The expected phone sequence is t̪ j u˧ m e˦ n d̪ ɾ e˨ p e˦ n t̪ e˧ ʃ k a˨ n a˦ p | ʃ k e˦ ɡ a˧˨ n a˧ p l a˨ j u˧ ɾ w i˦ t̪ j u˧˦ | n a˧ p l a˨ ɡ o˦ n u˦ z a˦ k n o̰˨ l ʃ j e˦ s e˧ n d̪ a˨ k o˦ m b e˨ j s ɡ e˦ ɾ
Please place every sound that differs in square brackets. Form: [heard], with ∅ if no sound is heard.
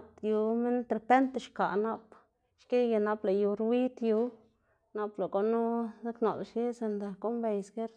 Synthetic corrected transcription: t̪ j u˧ m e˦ n [t̪] ɾ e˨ p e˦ n t̪ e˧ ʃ k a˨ n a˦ p | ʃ k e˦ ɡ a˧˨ n a˧ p l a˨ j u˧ ɾ w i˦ t̪ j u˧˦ | n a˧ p l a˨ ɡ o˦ n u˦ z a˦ k n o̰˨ l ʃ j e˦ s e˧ n d̪ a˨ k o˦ m b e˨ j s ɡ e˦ ɾ